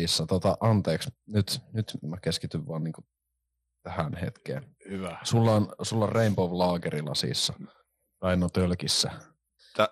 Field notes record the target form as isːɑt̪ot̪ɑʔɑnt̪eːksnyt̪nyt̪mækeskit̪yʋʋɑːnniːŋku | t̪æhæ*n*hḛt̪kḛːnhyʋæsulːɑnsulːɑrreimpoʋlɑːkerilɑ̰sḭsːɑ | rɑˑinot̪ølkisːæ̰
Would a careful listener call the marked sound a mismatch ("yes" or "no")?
no